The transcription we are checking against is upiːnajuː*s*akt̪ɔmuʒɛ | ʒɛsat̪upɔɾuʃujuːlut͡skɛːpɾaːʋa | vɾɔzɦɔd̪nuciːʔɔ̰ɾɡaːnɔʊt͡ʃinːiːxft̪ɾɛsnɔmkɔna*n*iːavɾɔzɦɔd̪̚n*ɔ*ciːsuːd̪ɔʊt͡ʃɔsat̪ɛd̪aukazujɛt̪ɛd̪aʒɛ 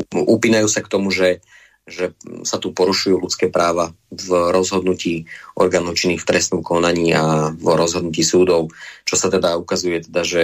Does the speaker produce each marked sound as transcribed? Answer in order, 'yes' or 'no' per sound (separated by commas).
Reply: yes, no, no